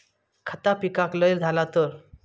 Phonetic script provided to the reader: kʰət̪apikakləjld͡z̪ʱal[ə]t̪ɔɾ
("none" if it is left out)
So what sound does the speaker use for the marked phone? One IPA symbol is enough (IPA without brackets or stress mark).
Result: a